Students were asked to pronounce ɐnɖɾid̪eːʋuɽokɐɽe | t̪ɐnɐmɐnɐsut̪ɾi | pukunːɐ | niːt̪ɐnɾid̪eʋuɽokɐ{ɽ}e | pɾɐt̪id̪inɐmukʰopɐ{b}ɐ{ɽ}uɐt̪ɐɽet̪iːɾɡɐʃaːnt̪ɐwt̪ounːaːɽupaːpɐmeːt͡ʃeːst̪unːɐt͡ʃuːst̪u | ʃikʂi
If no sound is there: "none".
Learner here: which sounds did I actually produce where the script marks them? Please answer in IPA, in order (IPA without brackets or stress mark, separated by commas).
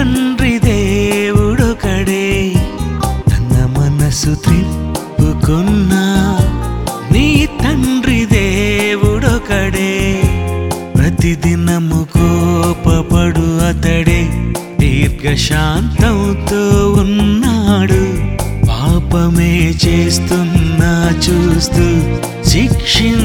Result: ɽ, p, ɽ